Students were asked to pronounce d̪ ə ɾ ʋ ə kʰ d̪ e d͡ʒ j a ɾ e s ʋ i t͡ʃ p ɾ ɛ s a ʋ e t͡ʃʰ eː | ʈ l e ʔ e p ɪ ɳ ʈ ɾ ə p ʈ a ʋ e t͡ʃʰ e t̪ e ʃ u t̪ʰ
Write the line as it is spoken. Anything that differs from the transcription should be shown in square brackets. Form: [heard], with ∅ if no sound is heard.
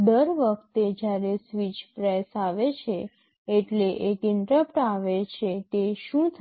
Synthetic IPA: d̪ ə ɾ ʋ ə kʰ [t̪] e d͡ʒ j a ɾ e s ʋ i t͡ʃ p ɾ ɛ s a ʋ e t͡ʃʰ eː | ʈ l e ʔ e [k] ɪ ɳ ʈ ɾ ə p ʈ a ʋ e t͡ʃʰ e t̪ e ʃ [ũ] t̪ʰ